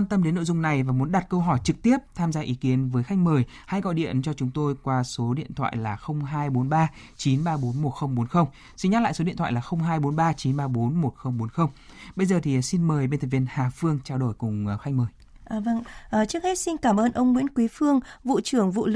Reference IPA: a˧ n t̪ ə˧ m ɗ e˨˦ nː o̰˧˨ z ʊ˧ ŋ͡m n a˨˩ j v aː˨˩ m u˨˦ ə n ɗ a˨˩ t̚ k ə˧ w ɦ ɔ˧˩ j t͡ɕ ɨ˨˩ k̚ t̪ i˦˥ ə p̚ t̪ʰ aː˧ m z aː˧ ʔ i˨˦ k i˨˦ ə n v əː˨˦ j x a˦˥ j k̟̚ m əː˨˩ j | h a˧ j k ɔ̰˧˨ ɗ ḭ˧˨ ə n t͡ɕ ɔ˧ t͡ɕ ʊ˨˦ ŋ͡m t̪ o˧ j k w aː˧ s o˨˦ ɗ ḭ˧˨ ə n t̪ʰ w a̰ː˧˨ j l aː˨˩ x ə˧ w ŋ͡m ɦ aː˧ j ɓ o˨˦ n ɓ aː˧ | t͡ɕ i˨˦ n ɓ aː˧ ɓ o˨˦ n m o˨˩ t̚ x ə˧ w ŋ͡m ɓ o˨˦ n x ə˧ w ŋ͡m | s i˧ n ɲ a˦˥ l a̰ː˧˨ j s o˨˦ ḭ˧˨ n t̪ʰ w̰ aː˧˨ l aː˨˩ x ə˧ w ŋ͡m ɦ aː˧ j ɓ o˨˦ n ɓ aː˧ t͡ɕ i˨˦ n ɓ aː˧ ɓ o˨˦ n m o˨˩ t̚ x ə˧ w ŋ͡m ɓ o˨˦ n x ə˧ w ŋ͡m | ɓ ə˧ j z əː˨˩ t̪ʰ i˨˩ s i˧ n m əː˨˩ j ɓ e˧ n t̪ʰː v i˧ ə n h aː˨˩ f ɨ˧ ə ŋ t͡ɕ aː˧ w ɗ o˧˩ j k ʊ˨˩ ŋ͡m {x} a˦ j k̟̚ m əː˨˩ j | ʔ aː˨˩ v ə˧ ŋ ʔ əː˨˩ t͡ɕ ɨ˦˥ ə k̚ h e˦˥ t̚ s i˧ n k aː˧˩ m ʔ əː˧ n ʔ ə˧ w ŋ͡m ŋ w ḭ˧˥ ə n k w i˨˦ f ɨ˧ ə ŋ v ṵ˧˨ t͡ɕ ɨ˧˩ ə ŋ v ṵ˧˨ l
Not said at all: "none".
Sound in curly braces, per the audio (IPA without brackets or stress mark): x